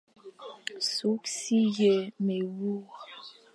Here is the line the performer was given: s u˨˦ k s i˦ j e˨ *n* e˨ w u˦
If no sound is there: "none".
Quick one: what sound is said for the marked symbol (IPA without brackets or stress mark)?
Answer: m